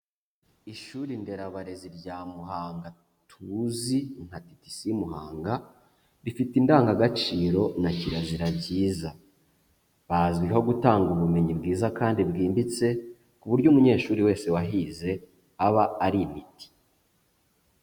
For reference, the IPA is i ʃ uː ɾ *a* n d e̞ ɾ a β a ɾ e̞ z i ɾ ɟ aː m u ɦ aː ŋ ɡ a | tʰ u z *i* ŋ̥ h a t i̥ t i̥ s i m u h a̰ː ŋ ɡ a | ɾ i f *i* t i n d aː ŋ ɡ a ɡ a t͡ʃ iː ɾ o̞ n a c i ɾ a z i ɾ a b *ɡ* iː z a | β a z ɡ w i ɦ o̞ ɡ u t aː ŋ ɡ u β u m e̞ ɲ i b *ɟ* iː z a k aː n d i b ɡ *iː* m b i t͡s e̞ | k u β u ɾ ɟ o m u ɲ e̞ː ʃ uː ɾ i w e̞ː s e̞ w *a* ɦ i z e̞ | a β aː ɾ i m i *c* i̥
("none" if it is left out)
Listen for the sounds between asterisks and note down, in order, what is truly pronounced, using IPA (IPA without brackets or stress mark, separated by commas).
i, i, i, ɟ, ɡ, iː, a, t